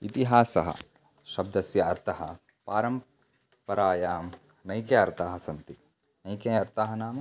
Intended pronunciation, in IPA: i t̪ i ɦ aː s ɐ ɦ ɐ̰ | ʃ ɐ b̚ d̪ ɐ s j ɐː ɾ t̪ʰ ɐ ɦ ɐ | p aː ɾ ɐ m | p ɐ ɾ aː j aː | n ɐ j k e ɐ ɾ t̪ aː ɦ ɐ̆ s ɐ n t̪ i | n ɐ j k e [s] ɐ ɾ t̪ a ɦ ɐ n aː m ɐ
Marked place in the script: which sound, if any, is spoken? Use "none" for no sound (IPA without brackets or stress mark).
none